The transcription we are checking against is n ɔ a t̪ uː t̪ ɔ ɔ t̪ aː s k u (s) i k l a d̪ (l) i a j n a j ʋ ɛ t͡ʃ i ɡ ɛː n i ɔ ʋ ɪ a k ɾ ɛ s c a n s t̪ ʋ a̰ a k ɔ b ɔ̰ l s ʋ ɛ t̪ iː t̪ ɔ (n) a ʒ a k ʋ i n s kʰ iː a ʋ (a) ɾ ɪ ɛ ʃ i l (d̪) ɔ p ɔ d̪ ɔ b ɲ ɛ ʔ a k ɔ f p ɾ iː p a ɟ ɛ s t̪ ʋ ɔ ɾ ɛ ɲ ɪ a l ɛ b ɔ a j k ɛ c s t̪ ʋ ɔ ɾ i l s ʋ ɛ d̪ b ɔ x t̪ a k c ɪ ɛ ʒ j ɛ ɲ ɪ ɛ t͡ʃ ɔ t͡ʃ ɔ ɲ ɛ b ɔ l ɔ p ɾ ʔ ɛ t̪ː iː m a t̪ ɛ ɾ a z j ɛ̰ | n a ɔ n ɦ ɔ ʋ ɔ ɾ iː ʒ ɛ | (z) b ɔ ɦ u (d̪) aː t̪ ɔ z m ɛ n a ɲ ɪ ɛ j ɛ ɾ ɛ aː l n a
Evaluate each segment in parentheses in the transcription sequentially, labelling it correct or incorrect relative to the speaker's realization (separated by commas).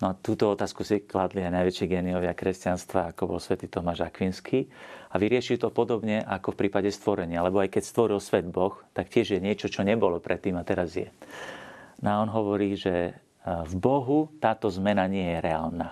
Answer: correct, correct, incorrect, incorrect, incorrect, incorrect, incorrect